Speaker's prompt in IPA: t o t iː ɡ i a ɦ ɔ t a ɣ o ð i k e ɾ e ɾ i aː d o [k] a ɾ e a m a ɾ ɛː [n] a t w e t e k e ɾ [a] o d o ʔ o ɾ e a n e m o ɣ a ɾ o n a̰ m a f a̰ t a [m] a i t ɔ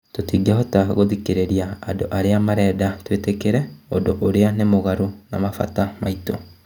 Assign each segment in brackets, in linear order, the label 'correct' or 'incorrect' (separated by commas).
incorrect, incorrect, incorrect, correct